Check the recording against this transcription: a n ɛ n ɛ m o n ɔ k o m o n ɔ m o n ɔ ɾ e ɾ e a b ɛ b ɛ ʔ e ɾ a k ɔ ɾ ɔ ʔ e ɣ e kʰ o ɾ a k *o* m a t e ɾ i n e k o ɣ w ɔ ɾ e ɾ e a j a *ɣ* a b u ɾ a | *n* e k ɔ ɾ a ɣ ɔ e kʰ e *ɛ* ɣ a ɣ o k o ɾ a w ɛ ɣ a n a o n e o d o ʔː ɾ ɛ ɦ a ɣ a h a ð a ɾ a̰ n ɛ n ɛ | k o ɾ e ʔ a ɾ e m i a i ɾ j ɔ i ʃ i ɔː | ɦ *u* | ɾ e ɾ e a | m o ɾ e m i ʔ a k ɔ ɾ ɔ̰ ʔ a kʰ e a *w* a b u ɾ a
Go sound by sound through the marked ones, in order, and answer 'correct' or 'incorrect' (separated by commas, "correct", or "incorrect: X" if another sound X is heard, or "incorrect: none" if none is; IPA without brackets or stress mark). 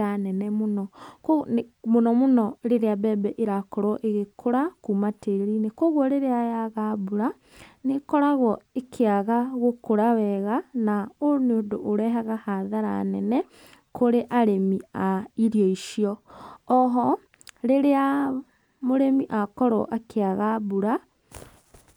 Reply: incorrect: u, correct, correct, incorrect: a, incorrect: ɔ, incorrect: ɣ